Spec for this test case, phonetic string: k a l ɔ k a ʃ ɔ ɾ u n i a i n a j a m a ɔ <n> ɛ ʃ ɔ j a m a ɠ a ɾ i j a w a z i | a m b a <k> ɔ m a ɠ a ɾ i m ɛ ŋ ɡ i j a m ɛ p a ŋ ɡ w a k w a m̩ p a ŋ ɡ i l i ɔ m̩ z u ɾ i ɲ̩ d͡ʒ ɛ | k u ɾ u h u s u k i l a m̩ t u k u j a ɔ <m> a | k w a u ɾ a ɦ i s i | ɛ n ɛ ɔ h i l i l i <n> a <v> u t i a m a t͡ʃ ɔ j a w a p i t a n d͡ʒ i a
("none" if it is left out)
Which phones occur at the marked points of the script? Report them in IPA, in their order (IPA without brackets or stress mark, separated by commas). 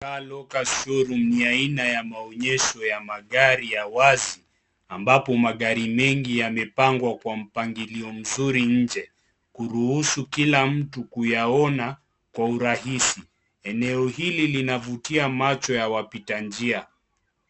ɲ, p, n, n, v